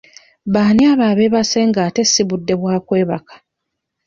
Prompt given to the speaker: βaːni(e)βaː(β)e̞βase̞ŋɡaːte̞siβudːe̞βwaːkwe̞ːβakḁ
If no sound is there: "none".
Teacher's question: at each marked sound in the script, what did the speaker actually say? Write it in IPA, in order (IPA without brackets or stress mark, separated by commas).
a, β